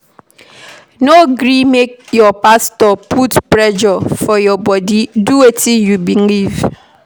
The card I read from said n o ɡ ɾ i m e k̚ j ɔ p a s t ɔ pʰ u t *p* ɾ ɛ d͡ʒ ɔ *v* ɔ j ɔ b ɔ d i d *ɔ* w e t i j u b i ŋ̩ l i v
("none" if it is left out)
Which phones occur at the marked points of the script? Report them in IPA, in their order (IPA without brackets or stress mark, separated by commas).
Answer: p, f, u